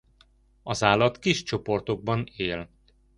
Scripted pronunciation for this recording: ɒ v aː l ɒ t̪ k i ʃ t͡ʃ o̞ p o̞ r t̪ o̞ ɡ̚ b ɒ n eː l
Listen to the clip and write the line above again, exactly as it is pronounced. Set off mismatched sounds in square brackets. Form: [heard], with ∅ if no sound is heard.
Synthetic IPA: ɒ [z] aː l ɒ t̪ k i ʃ t͡ʃ o̞ p o̞ r t̪ o̞ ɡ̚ b ɒ n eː l